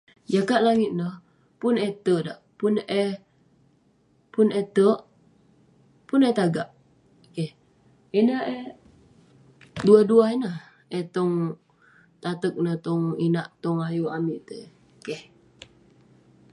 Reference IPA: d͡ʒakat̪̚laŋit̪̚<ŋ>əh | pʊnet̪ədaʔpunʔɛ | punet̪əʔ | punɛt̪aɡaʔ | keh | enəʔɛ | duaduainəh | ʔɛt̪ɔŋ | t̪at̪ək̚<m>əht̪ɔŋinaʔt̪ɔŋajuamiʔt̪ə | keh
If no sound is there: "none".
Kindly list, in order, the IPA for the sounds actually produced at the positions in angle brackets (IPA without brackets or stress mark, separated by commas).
n, n